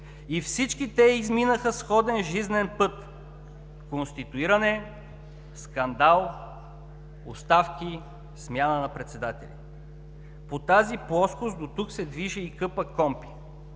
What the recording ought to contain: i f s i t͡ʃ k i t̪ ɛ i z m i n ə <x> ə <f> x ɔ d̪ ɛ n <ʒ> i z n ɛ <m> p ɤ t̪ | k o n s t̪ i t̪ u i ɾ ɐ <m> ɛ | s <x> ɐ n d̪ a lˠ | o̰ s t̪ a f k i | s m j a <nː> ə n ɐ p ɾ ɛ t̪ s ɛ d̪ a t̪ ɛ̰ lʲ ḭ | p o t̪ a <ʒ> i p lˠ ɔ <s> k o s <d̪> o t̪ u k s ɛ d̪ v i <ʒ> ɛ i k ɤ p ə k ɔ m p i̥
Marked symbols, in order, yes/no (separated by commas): yes, no, yes, no, no, no, no, no, yes, yes, yes